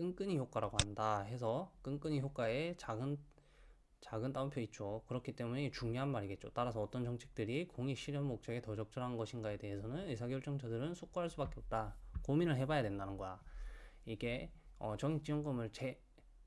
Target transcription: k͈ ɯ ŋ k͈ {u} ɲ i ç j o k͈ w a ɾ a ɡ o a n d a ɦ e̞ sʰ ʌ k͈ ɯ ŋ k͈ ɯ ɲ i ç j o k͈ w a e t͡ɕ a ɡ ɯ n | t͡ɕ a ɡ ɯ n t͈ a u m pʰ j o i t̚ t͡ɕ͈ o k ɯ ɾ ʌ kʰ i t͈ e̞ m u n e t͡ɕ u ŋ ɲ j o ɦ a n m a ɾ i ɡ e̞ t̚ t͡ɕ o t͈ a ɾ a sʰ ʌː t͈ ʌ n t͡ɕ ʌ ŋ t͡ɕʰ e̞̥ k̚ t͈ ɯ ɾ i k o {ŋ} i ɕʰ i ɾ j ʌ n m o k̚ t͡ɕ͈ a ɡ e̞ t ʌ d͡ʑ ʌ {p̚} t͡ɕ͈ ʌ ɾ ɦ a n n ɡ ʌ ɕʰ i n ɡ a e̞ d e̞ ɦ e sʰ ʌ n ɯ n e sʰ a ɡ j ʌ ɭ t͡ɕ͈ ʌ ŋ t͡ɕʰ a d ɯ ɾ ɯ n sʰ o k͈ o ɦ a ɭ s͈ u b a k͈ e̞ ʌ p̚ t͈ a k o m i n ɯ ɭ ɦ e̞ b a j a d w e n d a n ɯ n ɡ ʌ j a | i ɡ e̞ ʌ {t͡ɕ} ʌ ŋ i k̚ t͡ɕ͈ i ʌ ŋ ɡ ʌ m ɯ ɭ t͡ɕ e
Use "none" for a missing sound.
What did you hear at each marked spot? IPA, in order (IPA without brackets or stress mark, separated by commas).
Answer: ɯ, ŋ, k̚, t͡ɕ